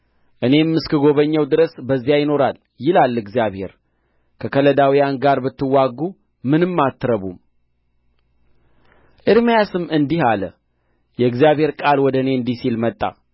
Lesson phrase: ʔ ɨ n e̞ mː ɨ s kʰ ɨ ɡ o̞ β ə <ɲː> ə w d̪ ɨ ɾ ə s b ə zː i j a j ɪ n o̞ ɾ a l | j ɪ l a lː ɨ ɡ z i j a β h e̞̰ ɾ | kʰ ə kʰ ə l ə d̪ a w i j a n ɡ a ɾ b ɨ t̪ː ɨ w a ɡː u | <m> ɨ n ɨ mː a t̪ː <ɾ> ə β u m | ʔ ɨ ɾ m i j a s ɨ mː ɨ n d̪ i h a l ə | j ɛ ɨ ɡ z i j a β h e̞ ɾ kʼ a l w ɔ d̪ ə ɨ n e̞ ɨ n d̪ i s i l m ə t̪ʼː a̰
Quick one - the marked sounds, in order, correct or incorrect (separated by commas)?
correct, correct, correct